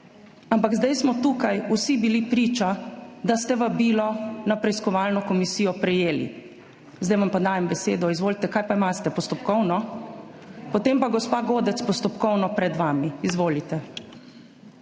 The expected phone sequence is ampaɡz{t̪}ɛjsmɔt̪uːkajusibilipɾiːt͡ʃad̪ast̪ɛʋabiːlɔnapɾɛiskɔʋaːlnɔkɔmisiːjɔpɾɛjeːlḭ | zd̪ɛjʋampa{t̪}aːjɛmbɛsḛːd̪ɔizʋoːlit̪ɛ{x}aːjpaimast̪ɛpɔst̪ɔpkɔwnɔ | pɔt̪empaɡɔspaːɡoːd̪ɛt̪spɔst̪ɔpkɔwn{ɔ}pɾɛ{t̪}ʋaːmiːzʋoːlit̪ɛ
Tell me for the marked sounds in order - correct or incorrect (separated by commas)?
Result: incorrect, incorrect, incorrect, correct, incorrect